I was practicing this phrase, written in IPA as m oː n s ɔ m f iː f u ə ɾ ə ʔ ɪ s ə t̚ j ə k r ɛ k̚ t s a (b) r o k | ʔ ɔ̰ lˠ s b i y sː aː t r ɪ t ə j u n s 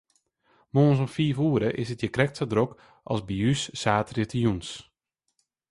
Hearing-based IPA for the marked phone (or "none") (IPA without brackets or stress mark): d